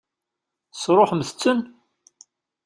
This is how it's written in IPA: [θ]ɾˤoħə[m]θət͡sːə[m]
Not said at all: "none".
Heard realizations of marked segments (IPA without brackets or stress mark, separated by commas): s, m, n